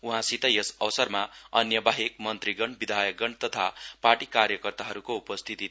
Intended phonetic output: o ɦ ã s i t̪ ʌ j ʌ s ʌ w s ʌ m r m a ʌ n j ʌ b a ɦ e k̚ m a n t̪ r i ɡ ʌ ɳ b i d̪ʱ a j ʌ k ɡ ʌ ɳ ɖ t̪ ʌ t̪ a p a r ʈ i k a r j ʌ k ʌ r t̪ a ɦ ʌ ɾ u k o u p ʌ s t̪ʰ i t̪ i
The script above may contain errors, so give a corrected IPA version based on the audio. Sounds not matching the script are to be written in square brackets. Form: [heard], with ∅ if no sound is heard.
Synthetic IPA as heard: [u] ɦ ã s i t̪ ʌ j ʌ s ʌ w s ʌ [∅] r m a ʌ n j ʌ b a ɦ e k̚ m [ʌ] n t̪ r i ɡ ʌ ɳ b i d̪ʱ a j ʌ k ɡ ʌ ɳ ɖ t̪ ʌ [t̪ʰ] a p a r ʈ i k a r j ʌ k ʌ r t̪ a ɦ ʌ ɾ u k o u p ʌ s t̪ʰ i t̪ i